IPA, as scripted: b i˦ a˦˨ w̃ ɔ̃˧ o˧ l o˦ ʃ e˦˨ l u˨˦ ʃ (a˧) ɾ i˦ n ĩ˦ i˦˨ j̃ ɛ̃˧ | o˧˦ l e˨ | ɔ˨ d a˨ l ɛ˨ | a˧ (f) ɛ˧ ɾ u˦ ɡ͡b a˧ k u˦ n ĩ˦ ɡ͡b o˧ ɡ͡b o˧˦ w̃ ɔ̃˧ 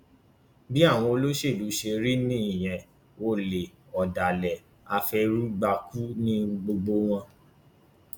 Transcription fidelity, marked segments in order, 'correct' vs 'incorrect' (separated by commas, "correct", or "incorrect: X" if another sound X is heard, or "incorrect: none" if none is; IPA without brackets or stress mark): incorrect: e˧, correct